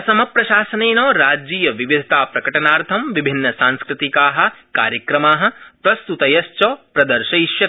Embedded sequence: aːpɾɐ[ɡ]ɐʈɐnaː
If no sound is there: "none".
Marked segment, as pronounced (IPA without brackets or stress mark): k